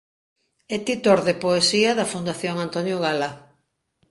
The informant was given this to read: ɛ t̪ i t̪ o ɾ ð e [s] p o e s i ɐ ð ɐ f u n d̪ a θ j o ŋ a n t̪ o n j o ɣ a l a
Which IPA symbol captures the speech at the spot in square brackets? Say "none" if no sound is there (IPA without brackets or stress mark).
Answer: none